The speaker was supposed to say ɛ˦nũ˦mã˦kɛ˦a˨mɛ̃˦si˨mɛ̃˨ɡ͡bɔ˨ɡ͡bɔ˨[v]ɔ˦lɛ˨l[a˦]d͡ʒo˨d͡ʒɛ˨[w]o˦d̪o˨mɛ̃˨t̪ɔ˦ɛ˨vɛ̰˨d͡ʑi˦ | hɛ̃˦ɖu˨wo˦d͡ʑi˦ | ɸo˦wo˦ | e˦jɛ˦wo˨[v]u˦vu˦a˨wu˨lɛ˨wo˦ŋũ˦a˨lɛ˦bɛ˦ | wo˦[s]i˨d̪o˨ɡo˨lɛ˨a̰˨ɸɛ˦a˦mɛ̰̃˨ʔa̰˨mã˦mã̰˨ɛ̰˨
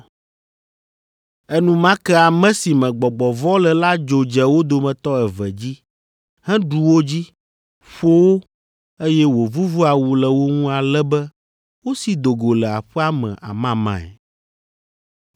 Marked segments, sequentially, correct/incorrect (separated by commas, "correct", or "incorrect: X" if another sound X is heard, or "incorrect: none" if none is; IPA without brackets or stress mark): correct, correct, correct, correct, correct